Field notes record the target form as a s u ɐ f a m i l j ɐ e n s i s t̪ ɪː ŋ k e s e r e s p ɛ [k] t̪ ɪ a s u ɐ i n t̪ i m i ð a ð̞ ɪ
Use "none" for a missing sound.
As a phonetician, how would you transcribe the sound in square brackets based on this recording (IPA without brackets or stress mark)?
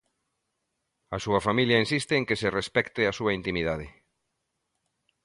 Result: k